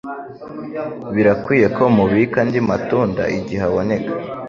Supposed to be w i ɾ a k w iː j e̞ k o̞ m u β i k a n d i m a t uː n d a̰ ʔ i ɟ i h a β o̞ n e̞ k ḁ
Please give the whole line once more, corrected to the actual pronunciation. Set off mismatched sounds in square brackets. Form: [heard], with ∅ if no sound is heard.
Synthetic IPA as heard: [β] i ɾ a k w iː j e̞ k o̞ m u β i k a n d i m a t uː n d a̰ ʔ i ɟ i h a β o̞ n e̞ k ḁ